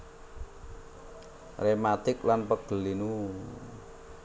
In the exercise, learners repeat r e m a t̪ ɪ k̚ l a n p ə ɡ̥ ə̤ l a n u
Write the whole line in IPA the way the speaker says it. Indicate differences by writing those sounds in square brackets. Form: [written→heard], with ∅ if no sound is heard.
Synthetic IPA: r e m a t̪ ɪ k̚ l a n p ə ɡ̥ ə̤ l [a→i] n u